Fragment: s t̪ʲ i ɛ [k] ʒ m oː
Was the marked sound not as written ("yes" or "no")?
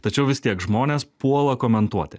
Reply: no